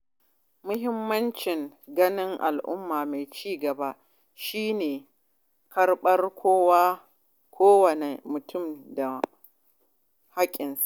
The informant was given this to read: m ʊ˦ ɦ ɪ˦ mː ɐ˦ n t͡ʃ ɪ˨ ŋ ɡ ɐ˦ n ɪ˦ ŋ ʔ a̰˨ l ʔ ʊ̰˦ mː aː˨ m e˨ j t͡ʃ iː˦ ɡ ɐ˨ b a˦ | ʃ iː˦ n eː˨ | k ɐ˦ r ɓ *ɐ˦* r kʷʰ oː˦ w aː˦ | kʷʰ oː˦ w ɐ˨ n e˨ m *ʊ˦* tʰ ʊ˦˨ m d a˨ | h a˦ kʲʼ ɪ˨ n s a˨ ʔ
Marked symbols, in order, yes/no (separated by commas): yes, no